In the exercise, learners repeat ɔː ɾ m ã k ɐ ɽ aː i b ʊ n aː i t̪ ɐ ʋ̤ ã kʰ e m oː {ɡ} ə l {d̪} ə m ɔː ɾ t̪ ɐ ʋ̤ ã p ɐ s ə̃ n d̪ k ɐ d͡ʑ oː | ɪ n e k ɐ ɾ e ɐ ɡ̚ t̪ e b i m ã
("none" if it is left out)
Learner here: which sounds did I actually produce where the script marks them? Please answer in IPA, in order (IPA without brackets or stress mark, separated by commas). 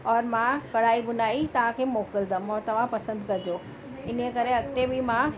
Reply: k, d̪